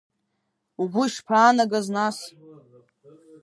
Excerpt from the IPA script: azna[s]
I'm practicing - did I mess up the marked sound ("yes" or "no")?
no